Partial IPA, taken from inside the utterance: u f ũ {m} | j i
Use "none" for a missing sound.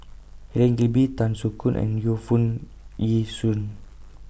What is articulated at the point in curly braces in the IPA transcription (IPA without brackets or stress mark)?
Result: n